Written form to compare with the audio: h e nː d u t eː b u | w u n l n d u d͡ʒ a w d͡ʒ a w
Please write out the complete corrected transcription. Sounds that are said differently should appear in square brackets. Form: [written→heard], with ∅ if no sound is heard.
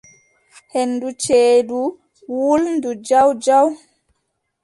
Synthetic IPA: h e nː d u [t→t͡ʃ] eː [b→d] u | w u [n→∅] l n d u d͡ʒ a w d͡ʒ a w